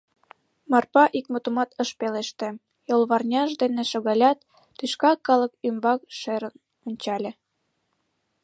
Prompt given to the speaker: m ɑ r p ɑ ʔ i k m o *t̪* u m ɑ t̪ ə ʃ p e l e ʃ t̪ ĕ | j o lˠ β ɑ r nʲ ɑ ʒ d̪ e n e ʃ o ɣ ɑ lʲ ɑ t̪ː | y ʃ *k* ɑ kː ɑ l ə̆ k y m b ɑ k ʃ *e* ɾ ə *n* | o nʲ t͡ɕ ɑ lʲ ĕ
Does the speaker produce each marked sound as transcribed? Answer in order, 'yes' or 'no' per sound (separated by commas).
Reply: yes, yes, yes, yes